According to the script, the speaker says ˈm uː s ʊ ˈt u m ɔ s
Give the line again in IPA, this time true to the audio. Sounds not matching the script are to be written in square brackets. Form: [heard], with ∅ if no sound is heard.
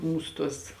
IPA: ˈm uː s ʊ ˈt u [∅] ɔ s